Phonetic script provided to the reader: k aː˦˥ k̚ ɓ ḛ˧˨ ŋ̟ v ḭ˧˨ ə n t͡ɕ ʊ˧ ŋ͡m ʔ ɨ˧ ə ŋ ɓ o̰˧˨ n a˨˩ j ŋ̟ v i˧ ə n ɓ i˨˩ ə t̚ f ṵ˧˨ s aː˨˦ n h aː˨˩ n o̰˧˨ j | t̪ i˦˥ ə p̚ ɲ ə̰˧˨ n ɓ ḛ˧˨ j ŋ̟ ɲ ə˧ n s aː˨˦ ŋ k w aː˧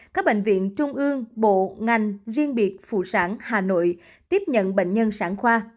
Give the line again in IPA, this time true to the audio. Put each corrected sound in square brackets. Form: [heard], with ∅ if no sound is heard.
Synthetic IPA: k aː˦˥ k̚ ɓ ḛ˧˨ ŋ̟ v ḭ˧˨ ə n t͡ɕ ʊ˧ ŋ͡m ʔ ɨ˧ ə ŋ ɓ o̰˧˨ [ŋ] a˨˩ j ŋ̟ [z] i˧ ə n ɓ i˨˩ ə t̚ f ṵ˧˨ s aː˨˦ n h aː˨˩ n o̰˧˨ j | t̪ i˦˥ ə p̚ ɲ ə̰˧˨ n ɓ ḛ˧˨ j ŋ̟ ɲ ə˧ n s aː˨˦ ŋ [x] w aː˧